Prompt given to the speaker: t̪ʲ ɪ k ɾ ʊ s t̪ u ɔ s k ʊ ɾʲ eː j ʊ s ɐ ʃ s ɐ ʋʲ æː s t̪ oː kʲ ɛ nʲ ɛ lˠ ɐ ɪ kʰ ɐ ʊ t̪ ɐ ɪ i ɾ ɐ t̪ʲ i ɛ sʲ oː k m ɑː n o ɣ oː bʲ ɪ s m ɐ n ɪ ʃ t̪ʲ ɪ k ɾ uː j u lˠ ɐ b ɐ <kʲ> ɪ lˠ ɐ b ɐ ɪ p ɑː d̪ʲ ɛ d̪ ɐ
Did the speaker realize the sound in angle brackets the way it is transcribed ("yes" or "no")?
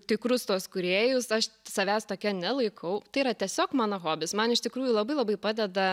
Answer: no